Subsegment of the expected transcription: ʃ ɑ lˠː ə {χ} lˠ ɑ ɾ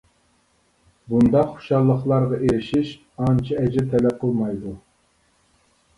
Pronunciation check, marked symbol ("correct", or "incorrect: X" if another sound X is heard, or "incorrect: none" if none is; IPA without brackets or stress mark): correct